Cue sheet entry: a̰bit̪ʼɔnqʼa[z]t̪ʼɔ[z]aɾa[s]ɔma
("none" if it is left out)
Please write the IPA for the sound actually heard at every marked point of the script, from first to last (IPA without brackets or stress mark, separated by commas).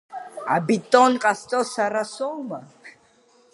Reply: s, s, s